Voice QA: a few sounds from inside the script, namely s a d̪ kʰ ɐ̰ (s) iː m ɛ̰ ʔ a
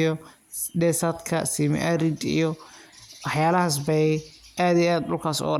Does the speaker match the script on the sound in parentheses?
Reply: yes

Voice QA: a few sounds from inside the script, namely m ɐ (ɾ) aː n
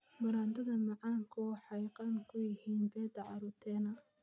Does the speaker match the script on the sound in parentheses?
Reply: yes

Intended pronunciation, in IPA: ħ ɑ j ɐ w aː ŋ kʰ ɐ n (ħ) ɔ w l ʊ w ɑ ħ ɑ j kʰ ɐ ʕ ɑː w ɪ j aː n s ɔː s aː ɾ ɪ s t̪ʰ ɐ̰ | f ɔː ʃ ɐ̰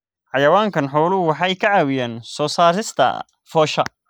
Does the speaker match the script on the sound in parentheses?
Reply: yes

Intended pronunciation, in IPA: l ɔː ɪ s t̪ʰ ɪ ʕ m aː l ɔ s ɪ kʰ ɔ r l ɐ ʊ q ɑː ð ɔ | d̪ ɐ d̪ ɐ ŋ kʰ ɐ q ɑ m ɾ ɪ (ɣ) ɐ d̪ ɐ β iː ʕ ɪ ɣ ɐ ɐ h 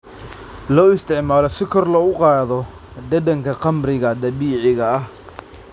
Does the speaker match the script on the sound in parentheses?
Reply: yes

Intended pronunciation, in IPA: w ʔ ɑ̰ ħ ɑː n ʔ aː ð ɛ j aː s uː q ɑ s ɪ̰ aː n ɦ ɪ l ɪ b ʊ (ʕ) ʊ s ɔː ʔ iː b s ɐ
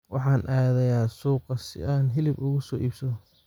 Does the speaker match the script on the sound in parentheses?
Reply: no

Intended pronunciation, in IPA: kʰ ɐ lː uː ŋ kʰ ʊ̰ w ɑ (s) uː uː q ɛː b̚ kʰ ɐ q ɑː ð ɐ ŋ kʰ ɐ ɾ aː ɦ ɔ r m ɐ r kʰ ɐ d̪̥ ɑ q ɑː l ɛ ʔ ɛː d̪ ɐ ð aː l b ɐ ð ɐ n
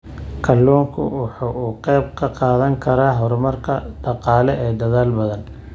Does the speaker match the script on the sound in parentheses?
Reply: no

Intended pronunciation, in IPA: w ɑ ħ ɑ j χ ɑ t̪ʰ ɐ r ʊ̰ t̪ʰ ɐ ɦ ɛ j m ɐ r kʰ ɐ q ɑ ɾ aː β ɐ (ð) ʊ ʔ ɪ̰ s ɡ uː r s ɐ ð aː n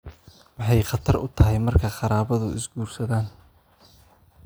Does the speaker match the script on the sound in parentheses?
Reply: yes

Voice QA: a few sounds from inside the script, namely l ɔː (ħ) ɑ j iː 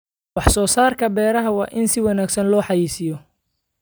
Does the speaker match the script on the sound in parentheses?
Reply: yes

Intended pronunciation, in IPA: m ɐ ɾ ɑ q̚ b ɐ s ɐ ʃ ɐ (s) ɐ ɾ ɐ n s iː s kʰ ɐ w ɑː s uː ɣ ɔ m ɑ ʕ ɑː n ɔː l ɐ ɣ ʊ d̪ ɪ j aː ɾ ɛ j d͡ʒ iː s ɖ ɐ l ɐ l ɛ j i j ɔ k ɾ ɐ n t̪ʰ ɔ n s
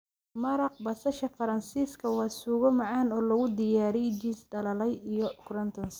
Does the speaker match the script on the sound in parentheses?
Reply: no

